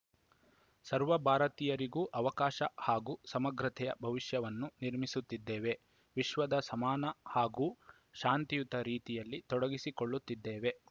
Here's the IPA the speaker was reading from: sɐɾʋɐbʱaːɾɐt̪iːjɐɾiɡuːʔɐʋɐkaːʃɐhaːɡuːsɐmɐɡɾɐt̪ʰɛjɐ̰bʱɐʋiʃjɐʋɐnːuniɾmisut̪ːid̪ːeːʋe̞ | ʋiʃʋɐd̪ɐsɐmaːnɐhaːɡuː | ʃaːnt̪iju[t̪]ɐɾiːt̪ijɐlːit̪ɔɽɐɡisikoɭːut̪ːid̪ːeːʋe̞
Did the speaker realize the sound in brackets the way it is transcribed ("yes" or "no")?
yes